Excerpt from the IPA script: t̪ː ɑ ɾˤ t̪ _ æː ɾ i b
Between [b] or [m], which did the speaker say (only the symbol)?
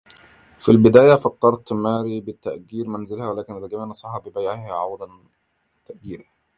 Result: m